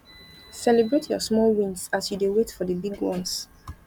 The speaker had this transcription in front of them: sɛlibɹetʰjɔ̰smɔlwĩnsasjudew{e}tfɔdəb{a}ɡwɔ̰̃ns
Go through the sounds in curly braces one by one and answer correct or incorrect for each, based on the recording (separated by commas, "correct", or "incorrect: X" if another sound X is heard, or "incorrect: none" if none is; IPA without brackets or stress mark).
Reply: correct, incorrect: i